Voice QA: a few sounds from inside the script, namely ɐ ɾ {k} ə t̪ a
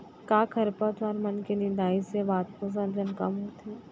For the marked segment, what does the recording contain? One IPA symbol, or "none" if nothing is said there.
p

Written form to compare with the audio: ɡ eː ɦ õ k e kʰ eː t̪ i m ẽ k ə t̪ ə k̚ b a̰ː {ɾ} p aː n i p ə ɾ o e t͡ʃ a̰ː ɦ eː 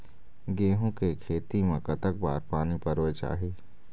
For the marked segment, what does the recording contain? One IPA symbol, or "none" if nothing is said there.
ɾ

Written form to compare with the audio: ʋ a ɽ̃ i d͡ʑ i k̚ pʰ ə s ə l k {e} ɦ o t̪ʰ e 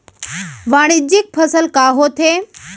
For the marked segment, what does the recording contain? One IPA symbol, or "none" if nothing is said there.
a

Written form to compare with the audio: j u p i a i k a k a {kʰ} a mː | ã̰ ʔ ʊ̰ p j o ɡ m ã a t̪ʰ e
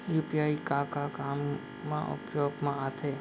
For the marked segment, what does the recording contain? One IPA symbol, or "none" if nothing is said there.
k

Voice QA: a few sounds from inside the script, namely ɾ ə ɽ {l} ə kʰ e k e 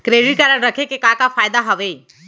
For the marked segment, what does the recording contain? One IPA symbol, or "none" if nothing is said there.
ɾ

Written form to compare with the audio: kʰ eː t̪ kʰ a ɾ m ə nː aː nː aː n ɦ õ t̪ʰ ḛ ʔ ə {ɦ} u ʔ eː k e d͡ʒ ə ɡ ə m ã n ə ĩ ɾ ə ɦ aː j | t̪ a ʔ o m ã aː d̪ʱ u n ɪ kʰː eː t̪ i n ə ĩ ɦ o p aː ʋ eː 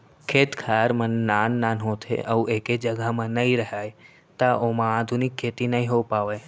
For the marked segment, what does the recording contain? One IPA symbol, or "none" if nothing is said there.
none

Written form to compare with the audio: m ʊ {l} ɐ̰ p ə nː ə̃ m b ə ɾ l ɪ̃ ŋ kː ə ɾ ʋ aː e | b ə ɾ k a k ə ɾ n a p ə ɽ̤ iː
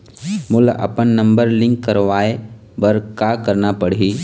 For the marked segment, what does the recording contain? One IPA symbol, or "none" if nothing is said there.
l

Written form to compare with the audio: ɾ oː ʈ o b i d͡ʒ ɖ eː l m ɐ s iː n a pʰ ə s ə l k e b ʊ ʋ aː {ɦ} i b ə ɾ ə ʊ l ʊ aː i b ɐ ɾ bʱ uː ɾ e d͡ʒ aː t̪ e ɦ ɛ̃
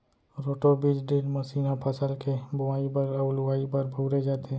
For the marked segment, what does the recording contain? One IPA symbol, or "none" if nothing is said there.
none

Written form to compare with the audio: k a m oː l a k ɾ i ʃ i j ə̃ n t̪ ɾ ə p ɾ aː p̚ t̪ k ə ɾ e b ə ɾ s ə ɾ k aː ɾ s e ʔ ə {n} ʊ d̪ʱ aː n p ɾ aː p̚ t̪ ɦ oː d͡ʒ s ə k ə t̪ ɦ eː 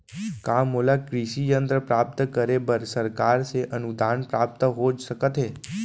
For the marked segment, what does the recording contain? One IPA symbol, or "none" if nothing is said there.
n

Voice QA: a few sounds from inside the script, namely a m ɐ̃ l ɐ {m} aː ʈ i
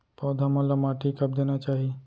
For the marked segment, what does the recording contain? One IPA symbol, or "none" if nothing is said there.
m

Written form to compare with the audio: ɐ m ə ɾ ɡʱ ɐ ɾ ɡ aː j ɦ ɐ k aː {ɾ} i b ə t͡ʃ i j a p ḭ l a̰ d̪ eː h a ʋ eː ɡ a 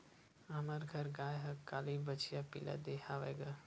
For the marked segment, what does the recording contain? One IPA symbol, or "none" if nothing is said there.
l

